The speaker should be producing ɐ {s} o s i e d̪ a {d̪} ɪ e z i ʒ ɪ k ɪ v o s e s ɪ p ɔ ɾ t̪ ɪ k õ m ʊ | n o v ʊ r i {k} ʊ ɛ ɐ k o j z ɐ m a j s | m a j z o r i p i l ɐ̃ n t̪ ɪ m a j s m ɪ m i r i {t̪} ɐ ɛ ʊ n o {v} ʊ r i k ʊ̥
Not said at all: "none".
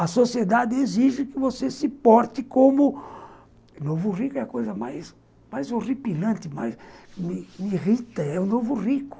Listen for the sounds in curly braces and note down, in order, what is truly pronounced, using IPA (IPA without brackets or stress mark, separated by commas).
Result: s, d̪, k, t̪, v